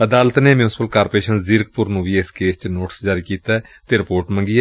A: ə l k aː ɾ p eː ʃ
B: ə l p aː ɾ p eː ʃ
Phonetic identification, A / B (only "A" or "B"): A